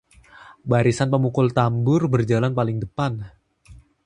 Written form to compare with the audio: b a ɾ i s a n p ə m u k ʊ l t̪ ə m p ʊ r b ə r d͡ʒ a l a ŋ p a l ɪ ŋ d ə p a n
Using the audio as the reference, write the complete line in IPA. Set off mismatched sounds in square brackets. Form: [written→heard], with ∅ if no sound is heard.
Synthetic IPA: b a ɾ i s a n p ə m u k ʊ l t̪ [ə→a] m [p→b] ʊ r b ə r d͡ʒ a l a [ŋ→n] p a l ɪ ŋ d ə p a n